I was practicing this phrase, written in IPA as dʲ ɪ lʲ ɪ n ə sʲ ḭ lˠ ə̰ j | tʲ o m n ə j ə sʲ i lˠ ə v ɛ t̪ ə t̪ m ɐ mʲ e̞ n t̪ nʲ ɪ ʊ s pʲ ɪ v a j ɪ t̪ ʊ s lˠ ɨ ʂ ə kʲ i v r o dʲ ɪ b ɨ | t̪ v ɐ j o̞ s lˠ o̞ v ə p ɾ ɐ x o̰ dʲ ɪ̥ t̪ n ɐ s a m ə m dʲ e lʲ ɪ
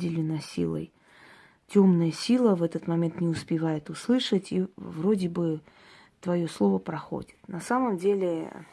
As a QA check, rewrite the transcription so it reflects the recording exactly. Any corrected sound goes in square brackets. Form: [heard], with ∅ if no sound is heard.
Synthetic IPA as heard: dʲ ɪ lʲ ɪ n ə sʲ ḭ lˠ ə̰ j | tʲ o m n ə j ə sʲ i lˠ ə v ɛ t̪ ə t̪ m ɐ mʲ e̞ n t̪ nʲ ɪ ʊ s pʲ ɪ v a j ɪ t̪ ʊ s lˠ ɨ ʂ ə [tʲ] i v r o dʲ ɪ b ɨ | t̪ v ɐ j o̞ s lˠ o̞ v ə p ɾ ɐ x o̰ dʲ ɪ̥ t̪ n ɐ s a m ə m dʲ e lʲ ɪ